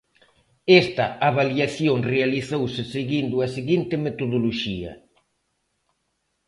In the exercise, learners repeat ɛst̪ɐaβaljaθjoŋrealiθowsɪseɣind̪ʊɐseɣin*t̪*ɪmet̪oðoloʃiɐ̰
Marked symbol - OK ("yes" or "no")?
yes